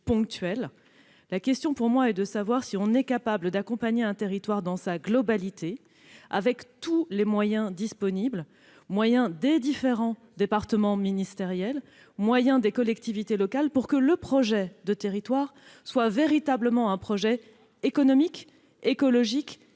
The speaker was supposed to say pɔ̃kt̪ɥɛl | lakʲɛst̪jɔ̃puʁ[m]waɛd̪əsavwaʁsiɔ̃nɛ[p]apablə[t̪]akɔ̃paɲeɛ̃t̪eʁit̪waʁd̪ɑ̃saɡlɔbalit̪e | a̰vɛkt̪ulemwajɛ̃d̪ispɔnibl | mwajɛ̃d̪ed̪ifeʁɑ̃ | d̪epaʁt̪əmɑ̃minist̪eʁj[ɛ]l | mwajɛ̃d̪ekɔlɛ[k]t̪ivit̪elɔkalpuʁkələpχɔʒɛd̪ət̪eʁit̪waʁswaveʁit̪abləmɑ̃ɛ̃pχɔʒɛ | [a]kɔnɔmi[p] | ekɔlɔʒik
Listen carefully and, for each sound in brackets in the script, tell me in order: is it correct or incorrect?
correct, incorrect: k, incorrect: d̪, correct, correct, incorrect: e, incorrect: k

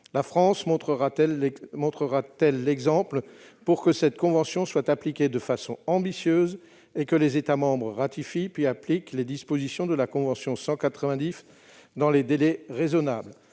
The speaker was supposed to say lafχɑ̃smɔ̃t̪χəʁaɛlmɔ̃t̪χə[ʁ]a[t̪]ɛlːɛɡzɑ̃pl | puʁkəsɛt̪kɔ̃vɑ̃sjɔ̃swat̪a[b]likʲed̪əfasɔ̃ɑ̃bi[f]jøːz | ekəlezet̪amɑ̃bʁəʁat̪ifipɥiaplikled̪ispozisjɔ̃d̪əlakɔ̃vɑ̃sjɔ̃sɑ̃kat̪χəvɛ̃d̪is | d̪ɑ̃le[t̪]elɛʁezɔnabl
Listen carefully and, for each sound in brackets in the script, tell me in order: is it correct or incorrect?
correct, correct, incorrect: p, incorrect: s, incorrect: d̪

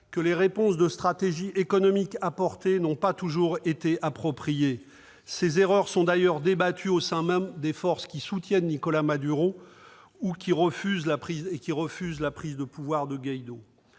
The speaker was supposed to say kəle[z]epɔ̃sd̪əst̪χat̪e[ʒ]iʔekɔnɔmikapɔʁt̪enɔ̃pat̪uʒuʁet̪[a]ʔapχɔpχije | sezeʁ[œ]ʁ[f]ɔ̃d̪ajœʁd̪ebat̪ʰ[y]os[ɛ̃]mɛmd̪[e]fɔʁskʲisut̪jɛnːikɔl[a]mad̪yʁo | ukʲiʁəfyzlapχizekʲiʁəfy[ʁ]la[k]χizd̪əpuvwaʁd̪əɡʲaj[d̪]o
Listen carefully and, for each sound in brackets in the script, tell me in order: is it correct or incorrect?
incorrect: ʁ, correct, incorrect: e, correct, incorrect: s, correct, correct, correct, correct, incorrect: z, incorrect: p, correct

